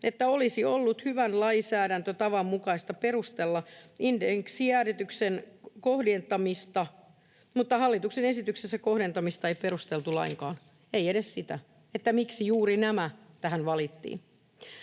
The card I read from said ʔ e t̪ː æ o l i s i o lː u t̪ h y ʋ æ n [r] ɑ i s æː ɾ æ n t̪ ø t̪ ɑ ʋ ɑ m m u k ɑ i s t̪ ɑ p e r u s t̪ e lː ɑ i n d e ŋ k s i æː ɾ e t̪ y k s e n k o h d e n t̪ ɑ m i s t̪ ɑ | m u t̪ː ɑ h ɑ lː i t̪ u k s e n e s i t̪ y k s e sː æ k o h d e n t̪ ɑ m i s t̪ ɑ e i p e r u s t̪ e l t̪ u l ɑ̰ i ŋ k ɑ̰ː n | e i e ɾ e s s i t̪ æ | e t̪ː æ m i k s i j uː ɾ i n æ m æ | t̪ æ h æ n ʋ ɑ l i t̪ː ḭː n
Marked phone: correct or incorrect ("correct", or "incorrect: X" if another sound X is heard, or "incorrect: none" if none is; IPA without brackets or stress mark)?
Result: incorrect: l